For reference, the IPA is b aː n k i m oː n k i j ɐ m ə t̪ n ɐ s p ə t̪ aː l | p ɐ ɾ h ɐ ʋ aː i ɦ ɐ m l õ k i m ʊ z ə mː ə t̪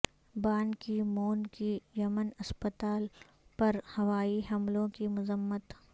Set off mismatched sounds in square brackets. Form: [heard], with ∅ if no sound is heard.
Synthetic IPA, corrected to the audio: b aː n k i m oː n k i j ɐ m ə [∅] n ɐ s p ə t̪ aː l | p ɐ ɾ h ɐ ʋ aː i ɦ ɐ m l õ k i m ʊ z ə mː ə t̪